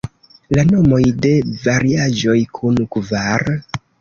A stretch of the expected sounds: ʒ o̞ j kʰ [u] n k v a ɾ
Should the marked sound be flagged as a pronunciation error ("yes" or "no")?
no